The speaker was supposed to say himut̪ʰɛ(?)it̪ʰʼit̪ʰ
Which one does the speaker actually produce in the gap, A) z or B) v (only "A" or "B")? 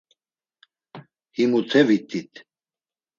B